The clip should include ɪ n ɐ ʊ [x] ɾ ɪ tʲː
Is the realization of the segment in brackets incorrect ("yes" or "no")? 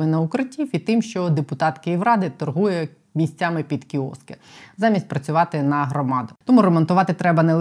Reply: yes